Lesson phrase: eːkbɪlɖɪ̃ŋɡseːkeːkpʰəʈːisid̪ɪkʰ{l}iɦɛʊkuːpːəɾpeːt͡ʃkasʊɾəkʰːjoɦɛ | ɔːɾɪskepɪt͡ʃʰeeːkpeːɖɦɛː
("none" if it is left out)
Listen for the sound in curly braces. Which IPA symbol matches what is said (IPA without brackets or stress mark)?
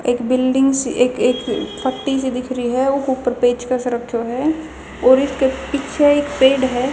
ɾ